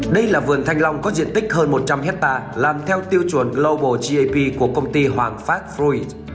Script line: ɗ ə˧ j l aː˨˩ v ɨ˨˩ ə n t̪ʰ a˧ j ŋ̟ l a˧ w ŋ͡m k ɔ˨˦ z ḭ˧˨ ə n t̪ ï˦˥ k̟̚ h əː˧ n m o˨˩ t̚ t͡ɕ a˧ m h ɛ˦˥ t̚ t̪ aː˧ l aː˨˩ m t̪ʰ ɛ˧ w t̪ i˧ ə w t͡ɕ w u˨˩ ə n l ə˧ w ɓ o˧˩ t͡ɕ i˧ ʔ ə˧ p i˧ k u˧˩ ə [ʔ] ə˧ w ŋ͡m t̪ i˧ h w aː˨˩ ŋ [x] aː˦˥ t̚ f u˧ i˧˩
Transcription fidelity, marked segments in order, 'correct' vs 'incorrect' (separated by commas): incorrect, incorrect